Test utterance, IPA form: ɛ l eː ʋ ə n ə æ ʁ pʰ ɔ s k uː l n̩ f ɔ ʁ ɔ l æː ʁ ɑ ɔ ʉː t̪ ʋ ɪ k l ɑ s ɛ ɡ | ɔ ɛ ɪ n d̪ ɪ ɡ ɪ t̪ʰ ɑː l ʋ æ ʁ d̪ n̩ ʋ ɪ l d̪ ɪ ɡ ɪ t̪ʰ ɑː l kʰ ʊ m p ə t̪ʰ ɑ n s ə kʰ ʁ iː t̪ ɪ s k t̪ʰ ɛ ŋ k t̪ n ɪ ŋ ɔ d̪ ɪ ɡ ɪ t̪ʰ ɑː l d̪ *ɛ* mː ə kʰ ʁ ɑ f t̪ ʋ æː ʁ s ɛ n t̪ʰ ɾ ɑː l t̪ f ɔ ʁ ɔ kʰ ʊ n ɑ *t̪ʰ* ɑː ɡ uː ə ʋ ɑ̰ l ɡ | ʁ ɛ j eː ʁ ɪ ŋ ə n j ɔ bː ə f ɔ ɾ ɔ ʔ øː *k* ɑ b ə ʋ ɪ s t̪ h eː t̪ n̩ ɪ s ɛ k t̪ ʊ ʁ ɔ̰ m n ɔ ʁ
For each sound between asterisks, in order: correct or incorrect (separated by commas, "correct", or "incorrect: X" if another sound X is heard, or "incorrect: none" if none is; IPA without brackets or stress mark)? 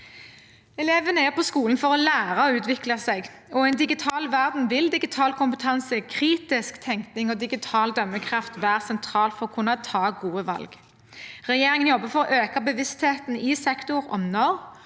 incorrect: œ, correct, correct